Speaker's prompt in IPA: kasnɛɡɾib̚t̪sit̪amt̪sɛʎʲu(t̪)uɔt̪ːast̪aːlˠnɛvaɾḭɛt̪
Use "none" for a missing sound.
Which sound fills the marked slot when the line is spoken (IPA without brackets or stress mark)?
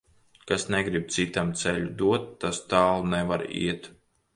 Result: d̪